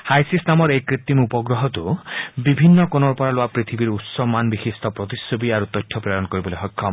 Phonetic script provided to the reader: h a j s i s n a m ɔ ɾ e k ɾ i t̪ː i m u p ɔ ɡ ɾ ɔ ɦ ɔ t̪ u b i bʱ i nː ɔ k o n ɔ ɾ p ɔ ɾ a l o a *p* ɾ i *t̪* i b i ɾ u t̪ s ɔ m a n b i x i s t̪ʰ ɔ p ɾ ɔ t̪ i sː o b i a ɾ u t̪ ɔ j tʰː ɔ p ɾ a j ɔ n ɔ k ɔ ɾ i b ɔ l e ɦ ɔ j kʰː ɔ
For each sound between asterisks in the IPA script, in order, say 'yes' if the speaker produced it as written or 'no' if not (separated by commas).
yes, no